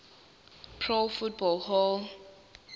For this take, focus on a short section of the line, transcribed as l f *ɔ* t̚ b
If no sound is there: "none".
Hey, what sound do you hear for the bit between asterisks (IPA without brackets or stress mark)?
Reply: u